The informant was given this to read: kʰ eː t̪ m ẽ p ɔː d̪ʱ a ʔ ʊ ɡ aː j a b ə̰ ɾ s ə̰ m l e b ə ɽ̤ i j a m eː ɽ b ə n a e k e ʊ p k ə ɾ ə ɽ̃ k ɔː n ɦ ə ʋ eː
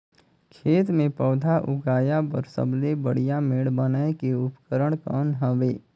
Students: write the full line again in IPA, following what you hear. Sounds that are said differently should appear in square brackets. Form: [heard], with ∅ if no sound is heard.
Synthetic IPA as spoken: kʰ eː t̪ m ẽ p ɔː d̪ʱ a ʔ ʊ ɡ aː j a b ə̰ ɾ s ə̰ [b] l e b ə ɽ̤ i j a m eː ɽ b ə n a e k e ʊ p k ə ɾ ə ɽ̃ k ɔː n ɦ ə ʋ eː